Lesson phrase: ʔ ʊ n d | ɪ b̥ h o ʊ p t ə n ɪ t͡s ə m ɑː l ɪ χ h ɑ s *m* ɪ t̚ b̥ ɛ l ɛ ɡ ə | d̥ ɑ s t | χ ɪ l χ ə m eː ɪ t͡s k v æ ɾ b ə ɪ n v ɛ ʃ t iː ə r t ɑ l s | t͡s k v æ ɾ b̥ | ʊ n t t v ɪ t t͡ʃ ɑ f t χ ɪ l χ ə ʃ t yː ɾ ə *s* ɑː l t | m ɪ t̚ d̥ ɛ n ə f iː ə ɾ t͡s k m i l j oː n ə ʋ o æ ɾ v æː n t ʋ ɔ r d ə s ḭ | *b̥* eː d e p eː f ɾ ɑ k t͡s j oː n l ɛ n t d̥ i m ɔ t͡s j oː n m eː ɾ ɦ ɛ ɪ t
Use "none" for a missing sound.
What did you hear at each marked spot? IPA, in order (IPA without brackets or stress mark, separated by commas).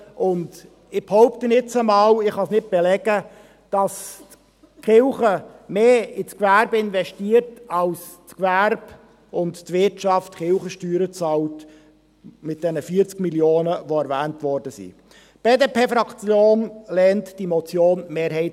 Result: n, t͡s, b̥